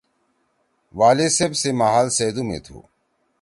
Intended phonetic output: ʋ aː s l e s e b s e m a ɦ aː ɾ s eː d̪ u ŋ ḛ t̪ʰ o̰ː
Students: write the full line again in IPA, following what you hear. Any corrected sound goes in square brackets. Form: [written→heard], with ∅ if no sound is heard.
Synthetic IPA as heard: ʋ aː [s→∅] l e s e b s e m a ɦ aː [ɾ→l] s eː d̪ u [ŋ→m] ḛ t̪ʰ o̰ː